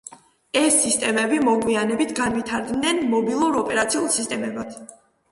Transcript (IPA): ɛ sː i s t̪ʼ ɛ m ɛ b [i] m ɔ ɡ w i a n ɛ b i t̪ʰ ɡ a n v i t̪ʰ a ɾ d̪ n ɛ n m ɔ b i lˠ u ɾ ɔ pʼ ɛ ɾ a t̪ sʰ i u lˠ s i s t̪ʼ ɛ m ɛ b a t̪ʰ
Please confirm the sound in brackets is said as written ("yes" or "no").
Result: yes